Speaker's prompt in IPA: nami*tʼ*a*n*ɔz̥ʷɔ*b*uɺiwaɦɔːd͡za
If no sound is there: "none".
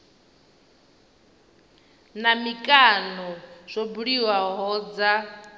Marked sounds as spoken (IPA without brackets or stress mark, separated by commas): kʼ, n, b